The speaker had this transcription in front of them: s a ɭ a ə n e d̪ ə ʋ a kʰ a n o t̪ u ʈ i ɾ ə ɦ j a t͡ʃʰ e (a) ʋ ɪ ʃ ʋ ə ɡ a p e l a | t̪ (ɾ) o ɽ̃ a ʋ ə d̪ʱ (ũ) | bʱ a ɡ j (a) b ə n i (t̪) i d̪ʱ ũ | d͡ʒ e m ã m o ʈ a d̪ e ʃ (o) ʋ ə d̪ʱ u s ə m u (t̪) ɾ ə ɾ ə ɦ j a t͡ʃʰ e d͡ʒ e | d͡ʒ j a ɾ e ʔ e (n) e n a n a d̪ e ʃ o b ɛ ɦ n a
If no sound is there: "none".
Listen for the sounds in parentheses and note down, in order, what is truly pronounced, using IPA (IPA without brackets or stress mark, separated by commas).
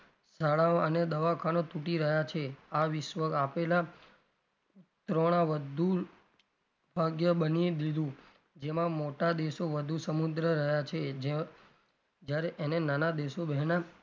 a, ɾ, u, ə, d̪, o, d̪, n